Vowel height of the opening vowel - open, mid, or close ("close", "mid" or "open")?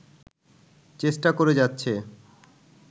mid